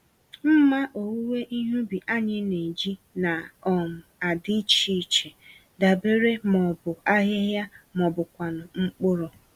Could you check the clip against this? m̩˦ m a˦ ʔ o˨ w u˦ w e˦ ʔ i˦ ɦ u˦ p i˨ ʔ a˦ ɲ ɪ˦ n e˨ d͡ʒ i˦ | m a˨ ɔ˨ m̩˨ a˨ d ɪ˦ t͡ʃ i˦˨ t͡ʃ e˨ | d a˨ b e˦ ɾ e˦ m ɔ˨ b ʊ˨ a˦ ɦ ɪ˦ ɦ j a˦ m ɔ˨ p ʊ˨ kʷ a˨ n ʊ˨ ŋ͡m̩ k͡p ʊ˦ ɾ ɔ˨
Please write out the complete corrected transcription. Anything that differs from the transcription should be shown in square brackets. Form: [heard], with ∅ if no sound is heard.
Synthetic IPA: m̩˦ m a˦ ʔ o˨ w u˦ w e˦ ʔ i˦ ɦ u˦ [b] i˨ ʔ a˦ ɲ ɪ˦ n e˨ d͡ʒ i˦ | [n] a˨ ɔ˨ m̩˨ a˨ d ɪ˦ t͡ʃ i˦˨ t͡ʃ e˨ | d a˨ b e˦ ɾ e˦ m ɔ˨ b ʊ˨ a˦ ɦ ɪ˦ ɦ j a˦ m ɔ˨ [b] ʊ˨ kʷ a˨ n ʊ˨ ŋ͡m̩ k͡p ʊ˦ ɾ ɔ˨